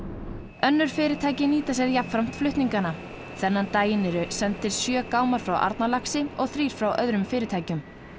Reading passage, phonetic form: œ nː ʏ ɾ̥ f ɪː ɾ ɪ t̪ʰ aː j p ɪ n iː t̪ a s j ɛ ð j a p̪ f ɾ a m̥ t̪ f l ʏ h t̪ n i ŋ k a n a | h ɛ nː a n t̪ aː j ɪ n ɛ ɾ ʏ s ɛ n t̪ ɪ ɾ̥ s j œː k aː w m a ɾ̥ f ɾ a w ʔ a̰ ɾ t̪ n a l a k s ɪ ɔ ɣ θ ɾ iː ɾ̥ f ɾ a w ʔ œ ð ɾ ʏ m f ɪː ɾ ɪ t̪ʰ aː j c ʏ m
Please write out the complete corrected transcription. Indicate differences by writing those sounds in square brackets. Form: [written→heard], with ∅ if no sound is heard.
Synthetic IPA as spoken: œ nː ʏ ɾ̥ f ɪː ɾ ɪ t̪ʰ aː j [p→c] ɪ n iː t̪ a s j ɛ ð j a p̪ f ɾ a m̥ t̪ f l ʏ h t̪ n i ŋ k a n a | [h→θ] ɛ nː a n t̪ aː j ɪ n ɛ ɾ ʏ s ɛ n t̪ ɪ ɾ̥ s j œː k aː w m a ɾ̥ f ɾ a w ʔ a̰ ɾ t̪ n a l a k s ɪ ɔ ɣ θ ɾ iː ɾ̥ f ɾ a w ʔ œ ð ɾ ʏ m f ɪː ɾ ɪ t̪ʰ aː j c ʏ m